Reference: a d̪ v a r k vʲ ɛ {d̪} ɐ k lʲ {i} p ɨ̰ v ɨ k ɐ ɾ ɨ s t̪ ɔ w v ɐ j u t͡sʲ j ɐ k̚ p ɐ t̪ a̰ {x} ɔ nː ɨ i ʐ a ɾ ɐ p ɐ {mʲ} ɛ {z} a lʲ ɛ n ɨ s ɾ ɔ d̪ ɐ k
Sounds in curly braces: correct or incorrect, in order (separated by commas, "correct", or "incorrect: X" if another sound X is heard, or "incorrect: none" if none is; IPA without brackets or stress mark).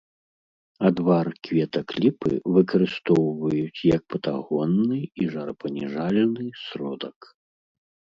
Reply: incorrect: t̪, correct, incorrect: ɣ, incorrect: nʲ, incorrect: ʐ